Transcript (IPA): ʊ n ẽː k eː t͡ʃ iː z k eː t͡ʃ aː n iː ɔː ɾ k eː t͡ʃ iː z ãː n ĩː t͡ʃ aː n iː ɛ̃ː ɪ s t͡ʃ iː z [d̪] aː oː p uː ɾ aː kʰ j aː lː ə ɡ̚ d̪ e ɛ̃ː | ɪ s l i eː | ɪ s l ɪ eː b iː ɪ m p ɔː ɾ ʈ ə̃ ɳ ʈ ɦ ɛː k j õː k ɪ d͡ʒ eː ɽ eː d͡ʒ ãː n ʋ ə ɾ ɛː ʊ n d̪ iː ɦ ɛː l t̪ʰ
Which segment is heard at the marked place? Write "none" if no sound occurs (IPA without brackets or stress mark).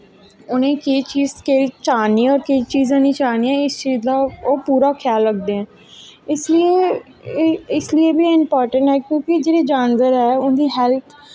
d̪